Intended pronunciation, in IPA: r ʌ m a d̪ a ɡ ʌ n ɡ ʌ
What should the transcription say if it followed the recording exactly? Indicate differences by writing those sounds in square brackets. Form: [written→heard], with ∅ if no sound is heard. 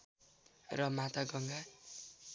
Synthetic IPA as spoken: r ʌ m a [d̪→t̪] a ɡ ʌ [n→ŋ] ɡ [ʌ→a]